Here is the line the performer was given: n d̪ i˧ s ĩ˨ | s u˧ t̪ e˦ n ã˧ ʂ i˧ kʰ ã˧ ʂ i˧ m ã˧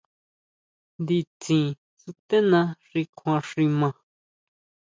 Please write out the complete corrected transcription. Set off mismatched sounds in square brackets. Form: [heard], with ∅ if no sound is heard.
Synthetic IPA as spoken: n d̪ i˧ [t͡s] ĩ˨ | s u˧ t̪ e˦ n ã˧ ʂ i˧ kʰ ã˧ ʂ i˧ m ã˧